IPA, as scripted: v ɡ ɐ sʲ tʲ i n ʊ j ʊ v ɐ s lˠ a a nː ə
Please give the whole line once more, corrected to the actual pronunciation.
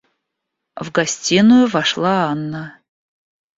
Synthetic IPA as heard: v ɡ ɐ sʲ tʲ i n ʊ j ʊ v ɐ ʂ lˠ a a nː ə